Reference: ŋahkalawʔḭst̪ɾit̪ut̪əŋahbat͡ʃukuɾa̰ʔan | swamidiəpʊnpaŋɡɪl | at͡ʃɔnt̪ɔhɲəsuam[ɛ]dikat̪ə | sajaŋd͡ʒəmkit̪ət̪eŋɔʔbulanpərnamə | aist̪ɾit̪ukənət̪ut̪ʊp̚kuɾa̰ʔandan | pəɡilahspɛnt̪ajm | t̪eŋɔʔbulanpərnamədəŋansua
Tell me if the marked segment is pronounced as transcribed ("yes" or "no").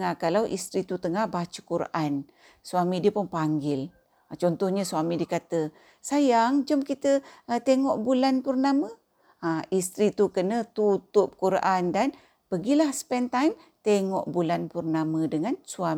no